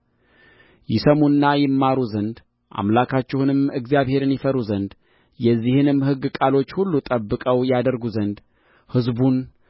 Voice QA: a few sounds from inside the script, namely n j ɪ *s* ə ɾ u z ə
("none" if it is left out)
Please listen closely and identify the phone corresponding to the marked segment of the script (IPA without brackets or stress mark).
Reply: f